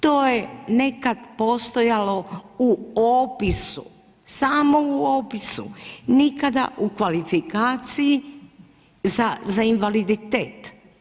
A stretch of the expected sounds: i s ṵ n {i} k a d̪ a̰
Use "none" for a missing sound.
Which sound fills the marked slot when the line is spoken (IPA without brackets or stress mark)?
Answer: i